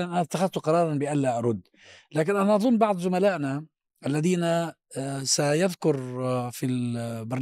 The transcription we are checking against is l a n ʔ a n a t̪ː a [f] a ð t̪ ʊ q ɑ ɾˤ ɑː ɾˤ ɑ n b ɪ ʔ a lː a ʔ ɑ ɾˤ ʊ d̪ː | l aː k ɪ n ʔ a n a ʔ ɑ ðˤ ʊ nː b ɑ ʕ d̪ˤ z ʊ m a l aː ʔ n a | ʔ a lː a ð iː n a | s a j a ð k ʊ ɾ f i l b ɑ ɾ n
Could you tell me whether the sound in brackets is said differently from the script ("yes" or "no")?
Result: yes